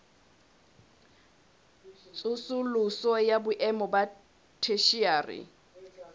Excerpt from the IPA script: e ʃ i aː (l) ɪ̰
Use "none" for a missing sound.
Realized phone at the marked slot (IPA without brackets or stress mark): r